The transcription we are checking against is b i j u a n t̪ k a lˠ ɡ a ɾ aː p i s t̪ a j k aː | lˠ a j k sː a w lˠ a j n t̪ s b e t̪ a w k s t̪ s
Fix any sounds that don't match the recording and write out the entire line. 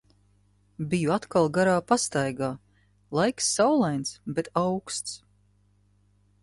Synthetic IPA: b i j u a t̪ k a lˠ ɡ a ɾ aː p a s t̪ a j ɡ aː | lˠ a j k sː a w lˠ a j n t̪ s b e t̪ a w k s t̪ s